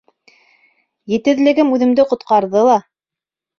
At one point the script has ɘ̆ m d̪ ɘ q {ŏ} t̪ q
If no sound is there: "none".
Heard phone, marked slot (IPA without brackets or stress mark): ŏ